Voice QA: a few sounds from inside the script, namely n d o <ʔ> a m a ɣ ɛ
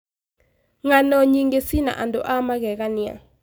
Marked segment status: correct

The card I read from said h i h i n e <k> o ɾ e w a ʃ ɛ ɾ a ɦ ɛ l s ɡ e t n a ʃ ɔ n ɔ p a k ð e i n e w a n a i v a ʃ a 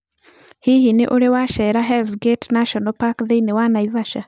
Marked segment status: incorrect: ʔ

